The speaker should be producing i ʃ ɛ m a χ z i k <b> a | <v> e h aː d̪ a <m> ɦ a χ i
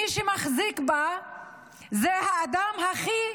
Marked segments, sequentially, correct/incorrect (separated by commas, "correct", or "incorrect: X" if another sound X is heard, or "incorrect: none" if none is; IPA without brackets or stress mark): correct, incorrect: z, correct